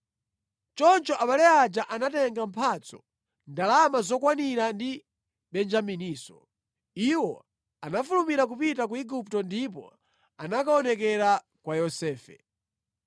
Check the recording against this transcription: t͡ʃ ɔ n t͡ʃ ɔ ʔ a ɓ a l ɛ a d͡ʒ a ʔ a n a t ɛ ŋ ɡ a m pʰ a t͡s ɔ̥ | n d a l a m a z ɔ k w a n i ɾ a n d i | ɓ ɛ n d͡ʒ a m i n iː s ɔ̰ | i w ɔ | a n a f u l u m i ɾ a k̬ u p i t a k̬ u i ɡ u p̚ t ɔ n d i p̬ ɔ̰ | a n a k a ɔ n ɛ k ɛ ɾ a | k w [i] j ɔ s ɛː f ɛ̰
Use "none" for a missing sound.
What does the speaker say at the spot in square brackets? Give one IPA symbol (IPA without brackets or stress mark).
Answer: a